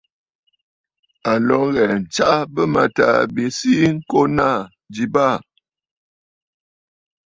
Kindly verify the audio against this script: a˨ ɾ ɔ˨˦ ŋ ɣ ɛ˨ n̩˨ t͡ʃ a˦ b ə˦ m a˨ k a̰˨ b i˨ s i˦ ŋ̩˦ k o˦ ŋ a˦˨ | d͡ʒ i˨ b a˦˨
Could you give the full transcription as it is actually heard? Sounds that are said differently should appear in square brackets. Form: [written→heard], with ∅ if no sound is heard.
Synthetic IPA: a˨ [ɾ→l] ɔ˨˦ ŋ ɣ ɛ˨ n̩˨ t͡ʃ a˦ b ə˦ m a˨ [k→t] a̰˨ b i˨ s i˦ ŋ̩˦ k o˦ [ŋ→n] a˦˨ | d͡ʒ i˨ b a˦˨